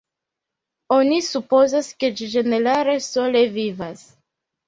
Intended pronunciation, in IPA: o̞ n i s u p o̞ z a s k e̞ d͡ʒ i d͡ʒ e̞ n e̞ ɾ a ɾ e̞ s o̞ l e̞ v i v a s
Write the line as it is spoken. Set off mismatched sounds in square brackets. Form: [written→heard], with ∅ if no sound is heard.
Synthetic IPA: o̞ n i s u p o̞ z a s k e̞ d͡ʒ i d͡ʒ e̞ n e̞ ɾ a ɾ e̞ s o̞ l e̞ v i v a s

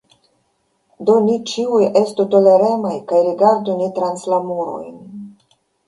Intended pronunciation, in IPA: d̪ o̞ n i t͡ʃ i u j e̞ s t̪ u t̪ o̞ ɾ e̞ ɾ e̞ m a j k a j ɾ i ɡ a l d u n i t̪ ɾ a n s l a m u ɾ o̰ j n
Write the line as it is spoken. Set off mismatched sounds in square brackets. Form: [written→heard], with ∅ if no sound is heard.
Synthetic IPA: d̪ o̞ n i t͡ʃ i u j e̞ s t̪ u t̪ o̞ [ɾ→l] e̞ ɾ e̞ m a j k a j ɾ i ɡ a [l→ɾ] d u n i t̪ ɾ a n s l a m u ɾ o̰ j n

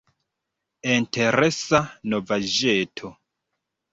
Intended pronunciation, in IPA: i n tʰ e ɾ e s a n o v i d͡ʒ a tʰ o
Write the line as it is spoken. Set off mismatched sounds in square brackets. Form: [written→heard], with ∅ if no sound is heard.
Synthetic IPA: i n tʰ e ɾ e s a n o v [i→a] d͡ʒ [a→e] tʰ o

